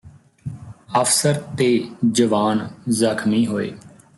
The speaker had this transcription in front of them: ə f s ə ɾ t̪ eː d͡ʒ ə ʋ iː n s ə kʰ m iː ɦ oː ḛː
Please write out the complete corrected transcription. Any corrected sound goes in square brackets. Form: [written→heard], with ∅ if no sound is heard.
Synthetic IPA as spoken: ə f s ə ɾ t̪ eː d͡ʒ ə ʋ [iː→aː] n [s→z] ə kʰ m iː ɦ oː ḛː